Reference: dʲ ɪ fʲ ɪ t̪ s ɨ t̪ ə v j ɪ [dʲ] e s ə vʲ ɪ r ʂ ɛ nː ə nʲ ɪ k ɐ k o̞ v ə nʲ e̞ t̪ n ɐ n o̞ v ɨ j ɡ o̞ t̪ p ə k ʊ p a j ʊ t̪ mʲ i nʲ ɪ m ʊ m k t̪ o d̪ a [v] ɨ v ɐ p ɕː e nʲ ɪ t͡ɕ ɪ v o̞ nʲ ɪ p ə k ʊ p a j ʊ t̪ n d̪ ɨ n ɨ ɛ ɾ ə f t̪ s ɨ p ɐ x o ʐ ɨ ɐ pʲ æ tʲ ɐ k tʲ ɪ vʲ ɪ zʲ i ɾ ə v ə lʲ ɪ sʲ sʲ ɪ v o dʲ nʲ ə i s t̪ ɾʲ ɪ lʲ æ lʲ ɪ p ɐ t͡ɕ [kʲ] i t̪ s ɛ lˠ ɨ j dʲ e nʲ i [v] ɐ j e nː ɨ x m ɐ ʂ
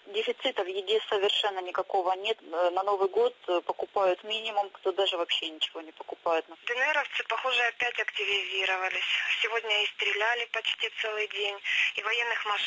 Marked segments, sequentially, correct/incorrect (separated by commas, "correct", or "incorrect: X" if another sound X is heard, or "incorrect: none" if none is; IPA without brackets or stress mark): correct, incorrect: ʐ, incorrect: tʲ, correct